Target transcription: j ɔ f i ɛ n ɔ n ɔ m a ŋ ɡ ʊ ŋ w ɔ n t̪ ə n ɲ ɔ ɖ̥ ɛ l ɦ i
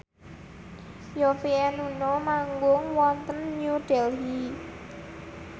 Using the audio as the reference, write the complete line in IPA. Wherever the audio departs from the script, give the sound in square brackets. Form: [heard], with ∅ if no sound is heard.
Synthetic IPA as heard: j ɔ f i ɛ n [u] n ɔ m a ŋ ɡ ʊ ŋ w ɔ n t̪ ə n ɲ [u] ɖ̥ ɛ l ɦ i